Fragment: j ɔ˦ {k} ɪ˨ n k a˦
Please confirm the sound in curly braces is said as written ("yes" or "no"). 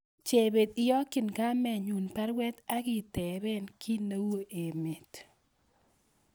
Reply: yes